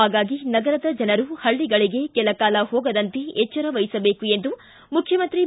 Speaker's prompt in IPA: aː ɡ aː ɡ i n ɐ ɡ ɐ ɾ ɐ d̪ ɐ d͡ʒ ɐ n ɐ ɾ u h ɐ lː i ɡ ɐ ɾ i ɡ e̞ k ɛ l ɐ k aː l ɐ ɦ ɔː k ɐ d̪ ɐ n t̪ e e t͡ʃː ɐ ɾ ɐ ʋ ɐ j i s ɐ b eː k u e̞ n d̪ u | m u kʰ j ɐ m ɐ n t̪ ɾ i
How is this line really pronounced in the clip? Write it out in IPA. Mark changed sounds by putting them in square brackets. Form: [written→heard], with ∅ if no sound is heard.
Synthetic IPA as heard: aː ɡ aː ɡ i n ɐ ɡ ɐ ɾ ɐ d̪ ɐ d͡ʒ ɐ n ɐ ɾ u h ɐ [lː→ɭː] i ɡ ɐ [ɾ→ɭ] i ɡ e̞ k ɛ l ɐ k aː l ɐ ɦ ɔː [k→ɡ] ɐ d̪ ɐ n t̪ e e t͡ʃː ɐ ɾ ɐ ʋ ɐ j i s ɐ b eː k u e̞ n d̪ u | m u kʰ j ɐ m ɐ n t̪ ɾ i